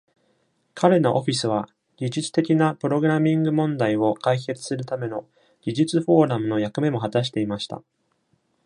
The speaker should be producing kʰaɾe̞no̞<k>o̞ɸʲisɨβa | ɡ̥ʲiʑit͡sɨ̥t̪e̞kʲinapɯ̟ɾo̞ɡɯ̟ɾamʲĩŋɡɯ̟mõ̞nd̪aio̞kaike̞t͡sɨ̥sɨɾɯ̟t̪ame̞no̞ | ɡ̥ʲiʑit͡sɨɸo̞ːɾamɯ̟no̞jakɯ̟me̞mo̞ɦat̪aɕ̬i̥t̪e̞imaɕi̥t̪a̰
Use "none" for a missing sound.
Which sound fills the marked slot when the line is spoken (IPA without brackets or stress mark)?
ʔ